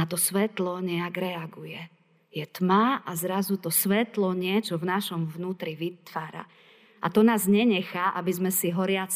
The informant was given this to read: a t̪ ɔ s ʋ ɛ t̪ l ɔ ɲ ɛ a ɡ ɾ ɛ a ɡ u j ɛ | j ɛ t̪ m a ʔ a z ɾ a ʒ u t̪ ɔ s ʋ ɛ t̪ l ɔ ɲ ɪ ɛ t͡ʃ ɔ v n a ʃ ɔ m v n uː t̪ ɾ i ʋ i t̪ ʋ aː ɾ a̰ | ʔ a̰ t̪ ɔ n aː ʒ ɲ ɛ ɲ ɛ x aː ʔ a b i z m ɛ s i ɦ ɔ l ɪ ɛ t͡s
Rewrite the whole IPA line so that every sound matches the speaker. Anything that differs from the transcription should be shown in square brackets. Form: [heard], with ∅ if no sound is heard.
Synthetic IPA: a t̪ ɔ s ʋ ɛ t̪ l ɔ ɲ ɛ a ɡ ɾ ɛ a ɡ u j ɛ | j ɛ t̪ m a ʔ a z ɾ a [z] u t̪ ɔ s ʋ ɛ t̪ l ɔ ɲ ɪ ɛ t͡ʃ ɔ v n a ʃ ɔ m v n uː t̪ ɾ i ʋ i t̪ ʋ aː ɾ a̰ | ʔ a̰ t̪ ɔ n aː [z] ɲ ɛ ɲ ɛ x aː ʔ a b i z m ɛ s i ɦ ɔ [ɾ] ɪ [a] t͡s